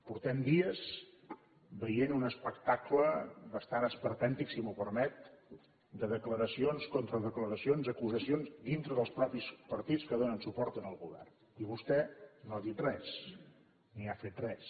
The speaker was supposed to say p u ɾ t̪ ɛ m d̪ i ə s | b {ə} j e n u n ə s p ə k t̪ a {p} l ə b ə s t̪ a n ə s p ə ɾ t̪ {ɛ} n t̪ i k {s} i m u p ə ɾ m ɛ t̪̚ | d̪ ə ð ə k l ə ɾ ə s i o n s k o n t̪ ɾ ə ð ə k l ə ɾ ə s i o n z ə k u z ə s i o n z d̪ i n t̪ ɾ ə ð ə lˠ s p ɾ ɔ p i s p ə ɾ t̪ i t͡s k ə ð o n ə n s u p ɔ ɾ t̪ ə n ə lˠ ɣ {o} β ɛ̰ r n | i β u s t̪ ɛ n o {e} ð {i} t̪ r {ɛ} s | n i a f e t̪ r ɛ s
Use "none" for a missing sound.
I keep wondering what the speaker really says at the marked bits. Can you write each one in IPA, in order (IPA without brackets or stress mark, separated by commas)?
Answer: ə, k, ɛ, s, u, a, i, ɛ